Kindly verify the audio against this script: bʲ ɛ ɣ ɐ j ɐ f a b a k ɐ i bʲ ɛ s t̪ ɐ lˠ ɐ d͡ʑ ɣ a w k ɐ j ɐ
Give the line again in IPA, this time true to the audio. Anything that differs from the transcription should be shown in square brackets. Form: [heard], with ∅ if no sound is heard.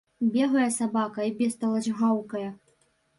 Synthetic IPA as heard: bʲ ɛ ɣ ɐ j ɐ [s] a b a k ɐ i bʲ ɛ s t̪ ɐ lˠ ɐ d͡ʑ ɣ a w k ɐ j ɐ